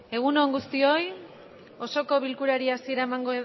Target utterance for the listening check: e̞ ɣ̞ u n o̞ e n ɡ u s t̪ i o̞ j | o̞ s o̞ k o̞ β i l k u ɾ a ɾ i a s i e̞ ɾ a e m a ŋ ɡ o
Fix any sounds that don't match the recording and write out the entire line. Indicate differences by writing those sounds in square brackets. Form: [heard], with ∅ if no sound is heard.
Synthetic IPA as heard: e̞ ɣ̞ u n o̞ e [ŋ] ɡ u s t̪ i o̞ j | o̞ s o̞ k o̞ β i l k u ɾ a ɾ i a s i e̞ ɾ a e m a ŋ ɡ o